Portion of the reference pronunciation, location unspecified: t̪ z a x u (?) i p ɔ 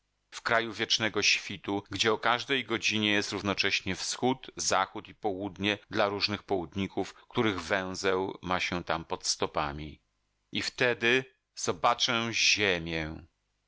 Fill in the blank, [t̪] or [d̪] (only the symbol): t̪